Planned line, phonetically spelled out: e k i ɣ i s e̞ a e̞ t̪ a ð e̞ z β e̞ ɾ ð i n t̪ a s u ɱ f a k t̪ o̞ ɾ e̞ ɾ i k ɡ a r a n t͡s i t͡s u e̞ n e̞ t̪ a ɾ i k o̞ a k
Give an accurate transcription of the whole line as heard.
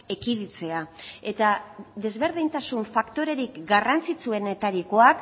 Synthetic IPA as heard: e k i ð i t͡s e̞ a e̞ t̪ a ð e̞ z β e̞ ɾ ð i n t̪ a s u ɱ f a k t̪ o̞ ɾ e̞ ɾ i k ɡ a r a n t͡s i t͡s u e̞ n e̞ t̪ a ɾ i k o̞ a k